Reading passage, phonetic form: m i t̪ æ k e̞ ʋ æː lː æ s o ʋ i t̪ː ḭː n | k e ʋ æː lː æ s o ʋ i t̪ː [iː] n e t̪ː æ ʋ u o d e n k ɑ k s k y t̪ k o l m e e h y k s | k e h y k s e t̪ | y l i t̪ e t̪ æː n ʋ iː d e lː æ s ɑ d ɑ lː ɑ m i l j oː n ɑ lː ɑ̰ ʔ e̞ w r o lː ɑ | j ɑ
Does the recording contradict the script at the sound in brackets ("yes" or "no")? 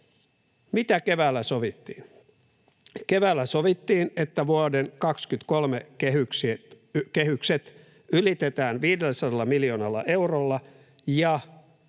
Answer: no